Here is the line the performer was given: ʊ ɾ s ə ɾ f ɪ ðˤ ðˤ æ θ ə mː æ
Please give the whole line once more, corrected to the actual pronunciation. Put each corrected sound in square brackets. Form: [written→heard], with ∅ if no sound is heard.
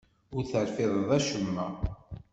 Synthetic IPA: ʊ ɾ [s→θ] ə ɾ f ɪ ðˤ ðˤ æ [θ→ʃ] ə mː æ